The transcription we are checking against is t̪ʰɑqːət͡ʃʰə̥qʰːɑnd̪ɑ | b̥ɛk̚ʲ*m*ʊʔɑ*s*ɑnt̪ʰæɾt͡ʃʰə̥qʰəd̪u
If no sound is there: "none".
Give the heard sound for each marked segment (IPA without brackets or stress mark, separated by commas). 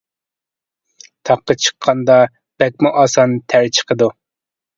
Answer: m, s